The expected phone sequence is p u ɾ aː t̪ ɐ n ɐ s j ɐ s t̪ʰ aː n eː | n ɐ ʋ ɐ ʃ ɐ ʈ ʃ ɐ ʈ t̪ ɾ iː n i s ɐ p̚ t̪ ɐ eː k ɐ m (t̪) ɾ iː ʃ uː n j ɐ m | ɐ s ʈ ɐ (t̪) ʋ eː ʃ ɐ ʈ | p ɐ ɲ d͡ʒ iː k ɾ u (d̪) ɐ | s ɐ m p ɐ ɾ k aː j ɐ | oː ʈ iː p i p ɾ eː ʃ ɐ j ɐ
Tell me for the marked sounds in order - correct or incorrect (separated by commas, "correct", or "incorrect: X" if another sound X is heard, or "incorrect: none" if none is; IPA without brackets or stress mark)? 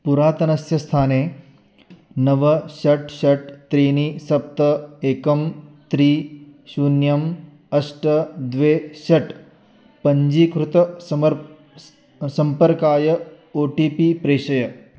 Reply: correct, incorrect: d̪, incorrect: t̪